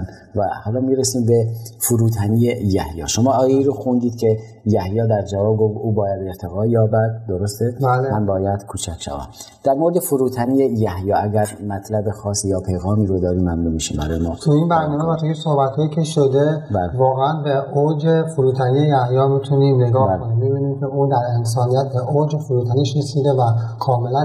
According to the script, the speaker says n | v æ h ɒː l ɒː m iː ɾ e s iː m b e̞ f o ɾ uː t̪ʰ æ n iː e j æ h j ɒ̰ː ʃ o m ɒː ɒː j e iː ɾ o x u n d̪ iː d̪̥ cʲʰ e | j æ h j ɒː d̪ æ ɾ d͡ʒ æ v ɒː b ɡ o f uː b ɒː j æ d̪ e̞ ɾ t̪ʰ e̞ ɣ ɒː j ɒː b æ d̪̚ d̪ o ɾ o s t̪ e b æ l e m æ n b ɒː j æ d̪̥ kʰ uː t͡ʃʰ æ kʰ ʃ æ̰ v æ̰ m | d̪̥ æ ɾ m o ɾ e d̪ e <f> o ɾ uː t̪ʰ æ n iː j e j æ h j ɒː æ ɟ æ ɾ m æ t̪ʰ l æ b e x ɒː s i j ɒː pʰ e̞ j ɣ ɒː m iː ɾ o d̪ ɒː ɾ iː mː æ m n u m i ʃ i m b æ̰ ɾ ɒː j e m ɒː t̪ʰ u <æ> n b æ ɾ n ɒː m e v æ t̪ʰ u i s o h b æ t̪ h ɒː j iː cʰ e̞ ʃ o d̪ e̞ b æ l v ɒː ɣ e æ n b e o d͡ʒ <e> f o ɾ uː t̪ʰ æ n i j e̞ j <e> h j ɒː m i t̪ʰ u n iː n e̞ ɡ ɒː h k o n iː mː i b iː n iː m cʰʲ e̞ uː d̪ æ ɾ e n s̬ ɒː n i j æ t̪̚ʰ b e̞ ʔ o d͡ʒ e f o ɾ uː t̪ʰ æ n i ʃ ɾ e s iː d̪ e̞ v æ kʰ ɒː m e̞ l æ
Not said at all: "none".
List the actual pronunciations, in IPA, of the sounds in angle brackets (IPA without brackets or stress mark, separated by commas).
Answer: f, i, e, æ